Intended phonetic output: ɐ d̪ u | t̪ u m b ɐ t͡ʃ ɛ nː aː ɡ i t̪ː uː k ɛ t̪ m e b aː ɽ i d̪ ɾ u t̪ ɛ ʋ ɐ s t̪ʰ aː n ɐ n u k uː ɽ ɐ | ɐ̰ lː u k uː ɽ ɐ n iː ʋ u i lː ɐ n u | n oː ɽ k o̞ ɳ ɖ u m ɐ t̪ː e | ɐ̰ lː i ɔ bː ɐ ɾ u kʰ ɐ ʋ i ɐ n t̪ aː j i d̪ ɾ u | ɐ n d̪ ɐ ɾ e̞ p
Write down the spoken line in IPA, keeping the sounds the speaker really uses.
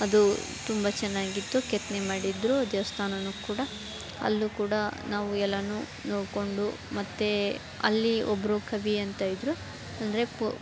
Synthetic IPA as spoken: ɐ d̪ u | t̪ u m b ɐ t͡ʃ ɛ nː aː ɡ i t̪ː u k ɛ t̪ n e m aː ɽ i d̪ ɾ u d̪ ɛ ʋ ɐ s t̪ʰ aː n ɐ n u k uː ɽ ɐ | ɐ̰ lː u k uː ɽ ɐ n aː ʋ u ɛ lː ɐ n u | n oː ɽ k o̞ ɳ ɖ u m ɐ t̪ː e | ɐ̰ lː i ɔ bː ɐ ɾ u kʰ ɐ ʋ i ɐ n t̪ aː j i d̪ ɾ u | ɐ n d̪ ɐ ɾ e̞ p